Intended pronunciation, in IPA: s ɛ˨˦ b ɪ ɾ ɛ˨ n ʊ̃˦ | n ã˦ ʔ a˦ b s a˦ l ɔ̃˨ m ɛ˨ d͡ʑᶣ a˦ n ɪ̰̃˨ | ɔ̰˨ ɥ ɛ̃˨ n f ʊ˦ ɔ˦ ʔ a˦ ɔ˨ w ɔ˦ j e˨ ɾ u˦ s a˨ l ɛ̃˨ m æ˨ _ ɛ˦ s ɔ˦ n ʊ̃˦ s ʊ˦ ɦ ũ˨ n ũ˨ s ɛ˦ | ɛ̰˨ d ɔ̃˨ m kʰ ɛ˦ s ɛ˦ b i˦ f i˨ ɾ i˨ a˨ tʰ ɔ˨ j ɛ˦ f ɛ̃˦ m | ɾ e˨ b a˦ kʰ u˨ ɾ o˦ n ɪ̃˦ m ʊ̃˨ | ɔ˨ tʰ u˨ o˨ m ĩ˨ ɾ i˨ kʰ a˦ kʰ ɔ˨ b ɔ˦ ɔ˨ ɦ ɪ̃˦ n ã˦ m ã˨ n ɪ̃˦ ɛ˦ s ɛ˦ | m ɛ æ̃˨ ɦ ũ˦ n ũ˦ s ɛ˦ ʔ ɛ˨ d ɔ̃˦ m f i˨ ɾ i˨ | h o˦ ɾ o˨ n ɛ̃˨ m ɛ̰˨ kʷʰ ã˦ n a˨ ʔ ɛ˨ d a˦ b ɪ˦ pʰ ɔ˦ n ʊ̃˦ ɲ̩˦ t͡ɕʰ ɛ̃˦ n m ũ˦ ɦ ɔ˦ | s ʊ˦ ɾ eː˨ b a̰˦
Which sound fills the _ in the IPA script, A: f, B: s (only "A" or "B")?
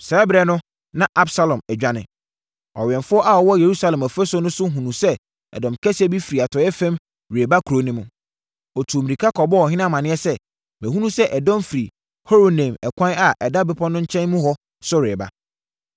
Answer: A